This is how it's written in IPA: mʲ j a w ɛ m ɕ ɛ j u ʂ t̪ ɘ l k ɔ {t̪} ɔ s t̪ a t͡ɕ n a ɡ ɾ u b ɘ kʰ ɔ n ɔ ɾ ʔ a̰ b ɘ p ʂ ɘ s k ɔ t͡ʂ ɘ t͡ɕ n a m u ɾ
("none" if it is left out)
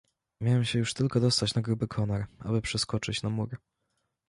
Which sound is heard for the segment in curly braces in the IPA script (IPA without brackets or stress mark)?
d̪